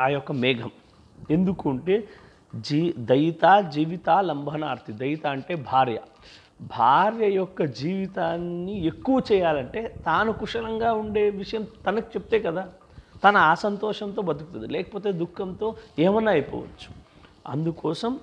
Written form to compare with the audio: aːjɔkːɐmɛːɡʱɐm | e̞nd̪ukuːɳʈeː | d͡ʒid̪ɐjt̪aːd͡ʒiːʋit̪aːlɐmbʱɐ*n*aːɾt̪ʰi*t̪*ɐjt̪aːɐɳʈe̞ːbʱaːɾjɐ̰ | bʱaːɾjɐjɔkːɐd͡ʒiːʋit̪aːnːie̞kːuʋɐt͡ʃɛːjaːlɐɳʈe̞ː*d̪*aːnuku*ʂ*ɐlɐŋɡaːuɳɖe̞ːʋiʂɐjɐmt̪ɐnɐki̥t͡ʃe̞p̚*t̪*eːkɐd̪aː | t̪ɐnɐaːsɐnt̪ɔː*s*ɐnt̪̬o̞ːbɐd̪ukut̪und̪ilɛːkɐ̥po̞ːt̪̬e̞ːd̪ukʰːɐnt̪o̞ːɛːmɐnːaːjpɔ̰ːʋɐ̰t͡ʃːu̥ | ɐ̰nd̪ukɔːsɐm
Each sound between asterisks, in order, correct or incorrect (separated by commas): correct, incorrect, incorrect, correct, correct, incorrect